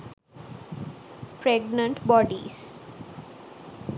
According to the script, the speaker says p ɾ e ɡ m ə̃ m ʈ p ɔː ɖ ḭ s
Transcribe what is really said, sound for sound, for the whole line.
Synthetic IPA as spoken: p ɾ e ɡ n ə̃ ɳ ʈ b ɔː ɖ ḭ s